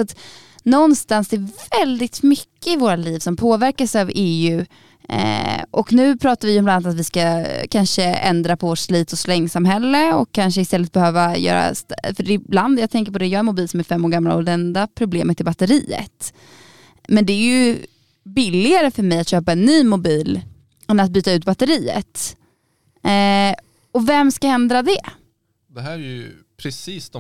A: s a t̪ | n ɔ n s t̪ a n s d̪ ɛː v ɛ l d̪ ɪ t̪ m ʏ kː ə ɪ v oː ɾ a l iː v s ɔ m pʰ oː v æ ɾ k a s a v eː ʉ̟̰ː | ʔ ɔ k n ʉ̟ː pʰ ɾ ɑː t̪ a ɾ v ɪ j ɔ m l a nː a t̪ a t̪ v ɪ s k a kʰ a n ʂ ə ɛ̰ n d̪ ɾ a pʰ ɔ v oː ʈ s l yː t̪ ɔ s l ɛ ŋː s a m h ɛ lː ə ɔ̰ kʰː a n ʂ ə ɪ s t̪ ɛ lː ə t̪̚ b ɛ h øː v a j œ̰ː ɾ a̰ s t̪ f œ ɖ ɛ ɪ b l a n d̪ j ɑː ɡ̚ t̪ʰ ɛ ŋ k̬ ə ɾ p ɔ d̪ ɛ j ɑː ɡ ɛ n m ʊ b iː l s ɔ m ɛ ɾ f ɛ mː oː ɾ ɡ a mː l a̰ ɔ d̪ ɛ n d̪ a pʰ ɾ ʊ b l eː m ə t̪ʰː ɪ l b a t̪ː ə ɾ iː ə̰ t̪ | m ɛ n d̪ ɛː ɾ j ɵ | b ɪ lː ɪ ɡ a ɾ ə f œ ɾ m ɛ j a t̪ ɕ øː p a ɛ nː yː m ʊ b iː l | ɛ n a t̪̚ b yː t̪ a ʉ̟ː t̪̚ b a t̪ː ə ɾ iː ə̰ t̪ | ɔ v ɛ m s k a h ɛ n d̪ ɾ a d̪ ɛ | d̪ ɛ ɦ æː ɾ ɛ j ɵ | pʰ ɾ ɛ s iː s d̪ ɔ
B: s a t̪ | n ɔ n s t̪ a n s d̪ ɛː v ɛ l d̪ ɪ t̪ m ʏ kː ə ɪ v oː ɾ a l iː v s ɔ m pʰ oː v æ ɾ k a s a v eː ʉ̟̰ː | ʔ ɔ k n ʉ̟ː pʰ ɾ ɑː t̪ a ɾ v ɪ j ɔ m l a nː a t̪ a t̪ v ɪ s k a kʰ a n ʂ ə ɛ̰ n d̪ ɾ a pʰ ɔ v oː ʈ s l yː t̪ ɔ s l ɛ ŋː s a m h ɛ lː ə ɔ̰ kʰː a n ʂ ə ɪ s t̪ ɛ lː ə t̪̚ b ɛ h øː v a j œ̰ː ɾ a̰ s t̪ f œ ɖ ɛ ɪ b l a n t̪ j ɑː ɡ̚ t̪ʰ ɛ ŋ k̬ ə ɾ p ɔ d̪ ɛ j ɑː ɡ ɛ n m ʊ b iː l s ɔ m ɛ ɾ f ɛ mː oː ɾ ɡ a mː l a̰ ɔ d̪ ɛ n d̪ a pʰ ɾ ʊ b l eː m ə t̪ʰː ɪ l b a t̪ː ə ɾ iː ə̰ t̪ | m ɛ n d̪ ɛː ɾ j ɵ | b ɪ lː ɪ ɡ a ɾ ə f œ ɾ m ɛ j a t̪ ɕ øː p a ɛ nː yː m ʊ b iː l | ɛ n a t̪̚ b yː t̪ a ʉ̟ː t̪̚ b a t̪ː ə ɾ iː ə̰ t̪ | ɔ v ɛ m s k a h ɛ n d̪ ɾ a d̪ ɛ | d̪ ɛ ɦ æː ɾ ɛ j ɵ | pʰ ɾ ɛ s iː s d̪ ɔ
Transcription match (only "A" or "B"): A